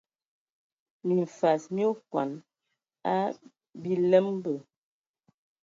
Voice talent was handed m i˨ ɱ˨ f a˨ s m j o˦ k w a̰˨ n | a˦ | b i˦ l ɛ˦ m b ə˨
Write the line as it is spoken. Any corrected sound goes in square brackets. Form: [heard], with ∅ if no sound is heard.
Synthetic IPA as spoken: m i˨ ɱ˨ f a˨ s m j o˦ k w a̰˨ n | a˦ | b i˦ l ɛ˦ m b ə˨